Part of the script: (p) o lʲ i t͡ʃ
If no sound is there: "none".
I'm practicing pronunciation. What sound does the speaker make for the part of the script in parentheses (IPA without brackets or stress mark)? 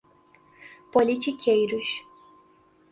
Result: p